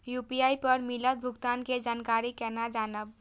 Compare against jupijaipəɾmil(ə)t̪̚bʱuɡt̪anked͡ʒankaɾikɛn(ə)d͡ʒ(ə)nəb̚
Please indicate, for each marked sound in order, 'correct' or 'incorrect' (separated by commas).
correct, incorrect, incorrect